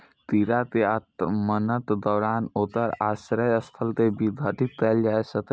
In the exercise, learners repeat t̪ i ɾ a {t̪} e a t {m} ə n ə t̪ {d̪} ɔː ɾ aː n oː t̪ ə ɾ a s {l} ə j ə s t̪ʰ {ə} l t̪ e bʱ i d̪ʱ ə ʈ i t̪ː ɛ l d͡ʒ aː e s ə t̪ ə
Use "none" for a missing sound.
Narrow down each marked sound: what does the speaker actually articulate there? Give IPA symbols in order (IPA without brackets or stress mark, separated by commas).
t̪, m, d̪, ɾ, ə